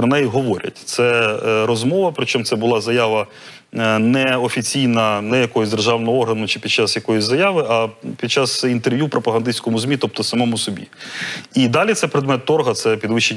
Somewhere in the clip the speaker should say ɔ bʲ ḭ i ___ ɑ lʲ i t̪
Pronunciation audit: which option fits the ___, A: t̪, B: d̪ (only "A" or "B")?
B